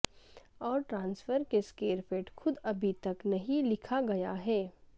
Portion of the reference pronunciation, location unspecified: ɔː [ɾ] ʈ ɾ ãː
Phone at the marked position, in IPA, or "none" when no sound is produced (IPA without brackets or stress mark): ɾ